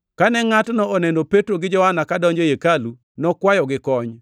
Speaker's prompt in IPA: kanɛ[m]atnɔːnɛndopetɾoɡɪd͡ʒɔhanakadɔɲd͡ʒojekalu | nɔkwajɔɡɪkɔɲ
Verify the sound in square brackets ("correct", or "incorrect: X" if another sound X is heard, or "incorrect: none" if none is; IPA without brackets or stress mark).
incorrect: ŋ